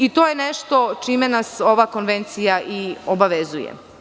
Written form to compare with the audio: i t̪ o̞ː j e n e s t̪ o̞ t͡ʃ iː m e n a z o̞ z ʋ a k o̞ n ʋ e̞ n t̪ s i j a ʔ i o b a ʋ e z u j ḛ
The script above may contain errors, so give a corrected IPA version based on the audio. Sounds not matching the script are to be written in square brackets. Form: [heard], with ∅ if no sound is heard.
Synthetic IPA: i t̪ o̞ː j e n e [ʃ] t̪ o̞ t͡ʃ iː m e n a [s] o̞ [∅] ʋ a k o̞ n ʋ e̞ n t̪ s i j a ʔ i o b a ʋ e z u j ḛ

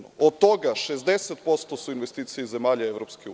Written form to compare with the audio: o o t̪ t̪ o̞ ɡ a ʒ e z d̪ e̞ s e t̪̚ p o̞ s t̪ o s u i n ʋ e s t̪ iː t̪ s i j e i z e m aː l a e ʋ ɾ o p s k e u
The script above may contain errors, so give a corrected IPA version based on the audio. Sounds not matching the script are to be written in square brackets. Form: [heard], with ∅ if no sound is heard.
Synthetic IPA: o o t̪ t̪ o̞ ɡ a [ʃ] e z d̪ e̞ s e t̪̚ p o̞ s t̪ o s u i n ʋ e s t̪ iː t̪ s i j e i z e m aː [ʎ] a e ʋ ɾ o p s k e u

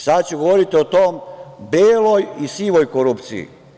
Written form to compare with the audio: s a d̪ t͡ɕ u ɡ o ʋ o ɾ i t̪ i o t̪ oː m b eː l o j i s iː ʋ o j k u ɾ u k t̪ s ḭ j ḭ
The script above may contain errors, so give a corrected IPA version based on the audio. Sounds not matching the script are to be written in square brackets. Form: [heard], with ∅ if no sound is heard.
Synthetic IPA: s a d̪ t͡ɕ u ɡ o ʋ o ɾ i t̪ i o t̪ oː m b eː l o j i s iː ʋ o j k [o] ɾ u [p] t̪ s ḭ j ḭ

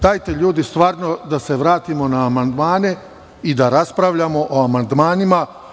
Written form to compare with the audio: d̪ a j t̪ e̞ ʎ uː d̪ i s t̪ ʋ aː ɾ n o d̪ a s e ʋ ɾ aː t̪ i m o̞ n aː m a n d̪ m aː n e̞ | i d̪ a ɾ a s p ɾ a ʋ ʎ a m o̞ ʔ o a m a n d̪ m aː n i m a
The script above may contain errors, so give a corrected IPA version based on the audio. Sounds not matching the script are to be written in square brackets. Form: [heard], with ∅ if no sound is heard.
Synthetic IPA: d̪ a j t̪ e̞ ʎ uː d̪ i s t̪ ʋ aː ɾ n o d̪ a s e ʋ ɾ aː t̪ i m o̞ n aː m a n d̪ m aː n e̞ | i d̪ a ɾ a s p ɾ a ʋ ʎ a m o̞ ʔ o a m a n d̪ m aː n i m a

